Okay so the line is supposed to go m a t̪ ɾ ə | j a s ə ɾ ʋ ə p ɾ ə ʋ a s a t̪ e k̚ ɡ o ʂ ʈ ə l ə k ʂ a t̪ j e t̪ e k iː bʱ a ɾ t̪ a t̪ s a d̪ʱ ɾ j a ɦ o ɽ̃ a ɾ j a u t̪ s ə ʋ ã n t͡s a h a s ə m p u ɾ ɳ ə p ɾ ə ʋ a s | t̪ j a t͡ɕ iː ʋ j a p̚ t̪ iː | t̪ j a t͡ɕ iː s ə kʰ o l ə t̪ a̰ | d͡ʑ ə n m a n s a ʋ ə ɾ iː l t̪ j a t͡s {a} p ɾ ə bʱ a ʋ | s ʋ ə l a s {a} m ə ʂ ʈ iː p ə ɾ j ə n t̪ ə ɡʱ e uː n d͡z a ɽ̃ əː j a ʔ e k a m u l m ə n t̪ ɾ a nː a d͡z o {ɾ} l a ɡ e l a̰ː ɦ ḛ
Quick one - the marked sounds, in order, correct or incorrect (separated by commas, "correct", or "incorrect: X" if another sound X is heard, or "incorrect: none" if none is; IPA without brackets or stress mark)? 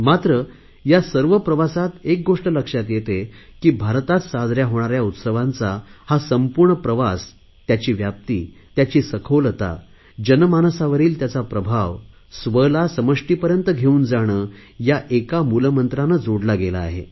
correct, incorrect: ə, incorrect: ɽ